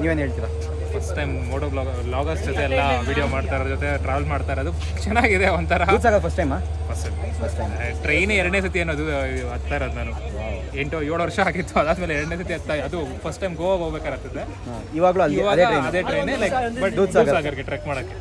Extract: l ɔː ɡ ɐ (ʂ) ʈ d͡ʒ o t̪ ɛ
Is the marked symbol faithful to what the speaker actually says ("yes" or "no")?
no